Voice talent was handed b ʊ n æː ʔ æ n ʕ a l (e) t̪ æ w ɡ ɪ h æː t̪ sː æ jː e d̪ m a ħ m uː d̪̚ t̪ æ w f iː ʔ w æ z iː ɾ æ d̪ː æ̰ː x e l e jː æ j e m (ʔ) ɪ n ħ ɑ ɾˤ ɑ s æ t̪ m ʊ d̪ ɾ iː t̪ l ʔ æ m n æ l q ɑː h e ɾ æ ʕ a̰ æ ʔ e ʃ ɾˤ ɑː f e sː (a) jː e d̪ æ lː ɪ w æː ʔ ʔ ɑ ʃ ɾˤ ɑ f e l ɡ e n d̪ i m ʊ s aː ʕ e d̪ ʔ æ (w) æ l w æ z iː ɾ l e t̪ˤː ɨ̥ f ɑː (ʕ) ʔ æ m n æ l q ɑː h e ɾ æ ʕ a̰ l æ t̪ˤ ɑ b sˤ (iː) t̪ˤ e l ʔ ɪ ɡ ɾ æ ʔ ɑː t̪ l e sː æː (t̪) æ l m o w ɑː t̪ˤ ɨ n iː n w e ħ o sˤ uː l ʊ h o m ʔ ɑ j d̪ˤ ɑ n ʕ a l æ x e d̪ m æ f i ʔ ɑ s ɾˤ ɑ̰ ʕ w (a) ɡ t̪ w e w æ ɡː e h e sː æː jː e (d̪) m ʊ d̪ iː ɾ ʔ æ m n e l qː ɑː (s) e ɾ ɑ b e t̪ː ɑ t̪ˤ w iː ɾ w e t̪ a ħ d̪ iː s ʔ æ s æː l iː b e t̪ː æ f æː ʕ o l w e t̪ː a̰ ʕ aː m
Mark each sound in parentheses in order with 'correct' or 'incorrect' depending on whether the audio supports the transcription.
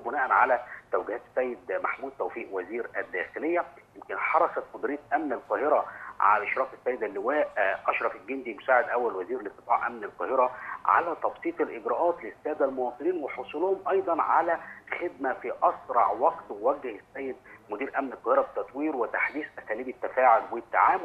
incorrect: æ, incorrect: k, incorrect: æ, incorrect: wː, correct, correct, incorrect: d̪, incorrect: ɑ, correct, incorrect: h

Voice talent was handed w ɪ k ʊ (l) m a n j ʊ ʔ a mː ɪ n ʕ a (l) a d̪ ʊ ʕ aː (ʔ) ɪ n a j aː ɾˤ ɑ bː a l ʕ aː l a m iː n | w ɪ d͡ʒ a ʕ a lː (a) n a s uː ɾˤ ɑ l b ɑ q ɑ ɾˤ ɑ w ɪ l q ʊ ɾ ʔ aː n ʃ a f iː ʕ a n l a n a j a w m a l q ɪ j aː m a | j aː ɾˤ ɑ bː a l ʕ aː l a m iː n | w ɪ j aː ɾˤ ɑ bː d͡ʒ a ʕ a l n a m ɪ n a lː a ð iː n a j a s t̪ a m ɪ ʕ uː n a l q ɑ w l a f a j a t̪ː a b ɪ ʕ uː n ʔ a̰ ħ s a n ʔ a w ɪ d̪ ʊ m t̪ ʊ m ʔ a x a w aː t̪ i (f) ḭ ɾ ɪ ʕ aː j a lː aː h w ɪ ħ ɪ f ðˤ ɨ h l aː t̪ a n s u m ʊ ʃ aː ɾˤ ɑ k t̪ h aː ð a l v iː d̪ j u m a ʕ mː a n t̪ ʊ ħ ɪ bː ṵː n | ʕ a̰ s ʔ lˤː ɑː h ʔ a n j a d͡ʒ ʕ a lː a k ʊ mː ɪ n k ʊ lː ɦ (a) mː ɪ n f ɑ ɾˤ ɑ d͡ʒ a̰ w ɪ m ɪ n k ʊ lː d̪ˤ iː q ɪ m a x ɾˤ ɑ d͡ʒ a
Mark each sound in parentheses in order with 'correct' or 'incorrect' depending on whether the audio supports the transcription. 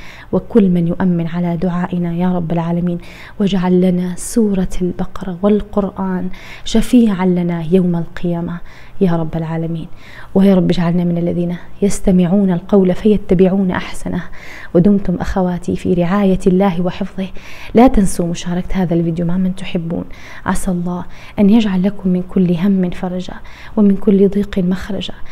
incorrect: lː, correct, correct, correct, correct, correct

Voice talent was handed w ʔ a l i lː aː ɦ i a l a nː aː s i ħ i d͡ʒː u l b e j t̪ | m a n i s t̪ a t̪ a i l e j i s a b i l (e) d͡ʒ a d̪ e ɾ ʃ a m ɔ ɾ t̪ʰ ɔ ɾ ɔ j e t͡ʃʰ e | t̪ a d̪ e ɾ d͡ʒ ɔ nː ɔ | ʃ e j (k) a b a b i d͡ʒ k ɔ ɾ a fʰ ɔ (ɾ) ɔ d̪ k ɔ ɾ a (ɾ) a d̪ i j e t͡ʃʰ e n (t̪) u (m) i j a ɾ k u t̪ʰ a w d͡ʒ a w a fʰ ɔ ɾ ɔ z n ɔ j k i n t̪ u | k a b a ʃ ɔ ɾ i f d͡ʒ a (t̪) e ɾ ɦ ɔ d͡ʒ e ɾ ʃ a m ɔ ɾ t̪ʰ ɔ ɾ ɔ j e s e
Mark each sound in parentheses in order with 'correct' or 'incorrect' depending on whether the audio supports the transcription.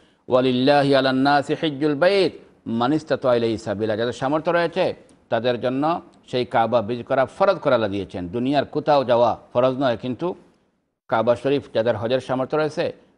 incorrect: a, correct, correct, incorrect: l, incorrect: d̪, incorrect: n, incorrect: d̪

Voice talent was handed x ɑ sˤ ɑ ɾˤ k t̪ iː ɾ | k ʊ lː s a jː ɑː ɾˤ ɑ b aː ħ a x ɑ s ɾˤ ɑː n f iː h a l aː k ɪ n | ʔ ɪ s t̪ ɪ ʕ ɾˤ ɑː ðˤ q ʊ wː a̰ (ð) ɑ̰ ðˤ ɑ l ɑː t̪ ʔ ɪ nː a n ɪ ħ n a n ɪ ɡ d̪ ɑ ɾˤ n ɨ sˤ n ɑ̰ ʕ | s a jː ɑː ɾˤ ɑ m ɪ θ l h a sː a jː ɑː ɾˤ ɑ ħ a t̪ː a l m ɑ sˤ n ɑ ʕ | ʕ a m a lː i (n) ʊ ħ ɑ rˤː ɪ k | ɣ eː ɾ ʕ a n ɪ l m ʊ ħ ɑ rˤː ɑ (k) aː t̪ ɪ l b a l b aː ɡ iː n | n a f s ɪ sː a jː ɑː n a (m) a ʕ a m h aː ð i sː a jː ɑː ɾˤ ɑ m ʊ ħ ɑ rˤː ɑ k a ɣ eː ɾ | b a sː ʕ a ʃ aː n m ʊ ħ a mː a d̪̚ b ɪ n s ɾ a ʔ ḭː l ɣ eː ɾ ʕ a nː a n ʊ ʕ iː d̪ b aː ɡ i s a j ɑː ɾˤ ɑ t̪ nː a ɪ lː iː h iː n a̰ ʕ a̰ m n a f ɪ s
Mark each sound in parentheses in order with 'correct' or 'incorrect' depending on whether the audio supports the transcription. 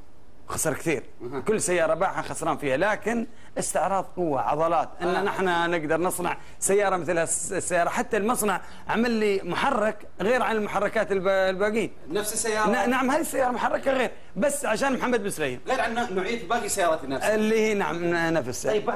incorrect: ʕ, incorrect: m, correct, incorrect: n

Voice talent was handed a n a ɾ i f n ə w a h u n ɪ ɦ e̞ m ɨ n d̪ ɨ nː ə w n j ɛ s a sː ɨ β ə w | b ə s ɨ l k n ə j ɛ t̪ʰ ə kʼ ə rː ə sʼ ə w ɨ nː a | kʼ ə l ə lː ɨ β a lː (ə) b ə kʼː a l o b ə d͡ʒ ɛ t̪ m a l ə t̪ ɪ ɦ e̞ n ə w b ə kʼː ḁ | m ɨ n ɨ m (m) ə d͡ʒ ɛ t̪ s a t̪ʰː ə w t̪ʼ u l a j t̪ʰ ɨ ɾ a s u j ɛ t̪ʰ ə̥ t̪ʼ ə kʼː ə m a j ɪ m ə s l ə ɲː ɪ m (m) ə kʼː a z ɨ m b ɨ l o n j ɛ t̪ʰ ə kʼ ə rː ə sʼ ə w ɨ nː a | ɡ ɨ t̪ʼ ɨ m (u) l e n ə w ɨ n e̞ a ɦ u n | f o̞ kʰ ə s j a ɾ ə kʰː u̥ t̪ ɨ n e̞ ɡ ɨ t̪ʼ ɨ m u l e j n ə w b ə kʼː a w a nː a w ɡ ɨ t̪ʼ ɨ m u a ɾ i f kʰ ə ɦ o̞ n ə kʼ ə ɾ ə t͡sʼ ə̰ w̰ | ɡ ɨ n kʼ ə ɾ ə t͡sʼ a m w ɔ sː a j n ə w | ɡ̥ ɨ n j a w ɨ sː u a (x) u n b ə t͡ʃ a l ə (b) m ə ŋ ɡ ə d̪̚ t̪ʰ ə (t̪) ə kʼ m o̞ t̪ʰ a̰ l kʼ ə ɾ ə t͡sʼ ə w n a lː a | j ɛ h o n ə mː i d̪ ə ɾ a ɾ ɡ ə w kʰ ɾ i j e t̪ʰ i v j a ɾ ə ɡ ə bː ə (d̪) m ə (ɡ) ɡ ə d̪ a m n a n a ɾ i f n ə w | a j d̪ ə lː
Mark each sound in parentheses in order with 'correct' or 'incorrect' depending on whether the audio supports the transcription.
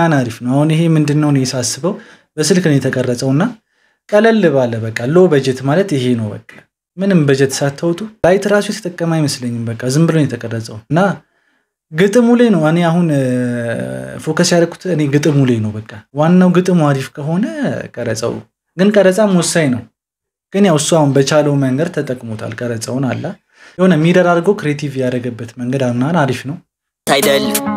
correct, incorrect: b, incorrect: b, correct, incorrect: h, incorrect: w, incorrect: t̪ʼ, incorrect: t̪, incorrect: ŋ

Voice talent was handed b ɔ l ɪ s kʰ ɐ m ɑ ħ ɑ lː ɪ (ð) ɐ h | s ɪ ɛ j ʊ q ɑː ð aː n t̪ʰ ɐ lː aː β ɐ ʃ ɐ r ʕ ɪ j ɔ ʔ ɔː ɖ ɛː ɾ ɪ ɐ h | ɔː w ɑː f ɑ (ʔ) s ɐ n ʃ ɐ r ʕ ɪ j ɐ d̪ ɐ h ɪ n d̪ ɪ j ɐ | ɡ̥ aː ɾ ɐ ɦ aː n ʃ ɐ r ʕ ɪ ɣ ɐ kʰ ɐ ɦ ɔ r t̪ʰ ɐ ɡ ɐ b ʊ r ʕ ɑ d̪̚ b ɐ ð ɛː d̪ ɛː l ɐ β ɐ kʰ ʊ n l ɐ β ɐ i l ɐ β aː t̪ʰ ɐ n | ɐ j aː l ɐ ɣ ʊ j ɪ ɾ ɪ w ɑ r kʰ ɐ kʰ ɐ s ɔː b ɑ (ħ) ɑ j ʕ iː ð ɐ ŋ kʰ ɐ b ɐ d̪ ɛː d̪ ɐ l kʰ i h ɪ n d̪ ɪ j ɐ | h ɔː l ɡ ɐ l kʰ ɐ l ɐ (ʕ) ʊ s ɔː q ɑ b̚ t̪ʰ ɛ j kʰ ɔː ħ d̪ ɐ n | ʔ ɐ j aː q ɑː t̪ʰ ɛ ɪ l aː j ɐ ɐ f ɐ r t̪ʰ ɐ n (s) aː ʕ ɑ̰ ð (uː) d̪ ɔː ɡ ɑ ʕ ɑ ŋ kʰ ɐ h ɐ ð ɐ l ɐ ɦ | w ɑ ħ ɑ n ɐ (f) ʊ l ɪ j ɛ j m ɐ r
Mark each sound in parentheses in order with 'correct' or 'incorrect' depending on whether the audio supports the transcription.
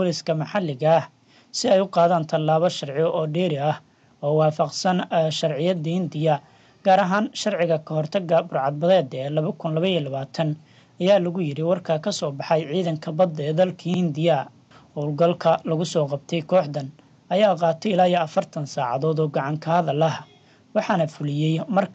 incorrect: ɣ, incorrect: q, correct, incorrect: ɣ, correct, incorrect: ɔː, correct

